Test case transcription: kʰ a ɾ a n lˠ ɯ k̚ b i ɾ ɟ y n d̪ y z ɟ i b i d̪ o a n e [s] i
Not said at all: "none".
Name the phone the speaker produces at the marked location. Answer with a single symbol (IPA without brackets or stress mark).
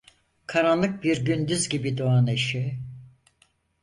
ʃ